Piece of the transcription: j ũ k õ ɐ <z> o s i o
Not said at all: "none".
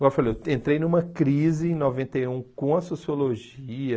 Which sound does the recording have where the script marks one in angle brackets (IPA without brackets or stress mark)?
s